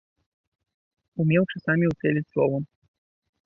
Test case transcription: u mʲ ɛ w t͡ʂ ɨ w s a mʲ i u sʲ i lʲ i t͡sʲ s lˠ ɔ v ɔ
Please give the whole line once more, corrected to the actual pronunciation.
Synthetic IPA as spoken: u mʲ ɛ w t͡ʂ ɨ s a mʲ i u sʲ ɛ lʲ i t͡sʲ s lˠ ɔ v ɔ